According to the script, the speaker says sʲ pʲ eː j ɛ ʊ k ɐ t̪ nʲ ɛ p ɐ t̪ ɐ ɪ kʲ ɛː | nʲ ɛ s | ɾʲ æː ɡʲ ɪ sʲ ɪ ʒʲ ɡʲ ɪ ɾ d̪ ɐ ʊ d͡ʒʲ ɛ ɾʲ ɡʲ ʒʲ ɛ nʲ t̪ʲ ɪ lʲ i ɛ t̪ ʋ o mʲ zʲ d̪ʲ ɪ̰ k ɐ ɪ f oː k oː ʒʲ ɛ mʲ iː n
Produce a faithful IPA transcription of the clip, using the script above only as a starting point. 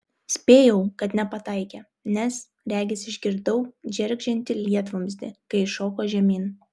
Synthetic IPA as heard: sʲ pʲ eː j ɛ ʊ k ɐ t̪ nʲ ɛ p ɐ t̪ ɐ ɪ kʲ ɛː | nʲ ɛ s | ɾʲ æː ɡʲ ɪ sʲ ɪ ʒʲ ɡʲ ɪ ɾ d̪ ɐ ʊ d͡ʒʲ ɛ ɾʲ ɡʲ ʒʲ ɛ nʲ t̪ʲ ɪ lʲ i ɛ t̪ ʋ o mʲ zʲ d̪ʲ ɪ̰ k ɐ ɪ ʃ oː k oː ʒʲ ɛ mʲ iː n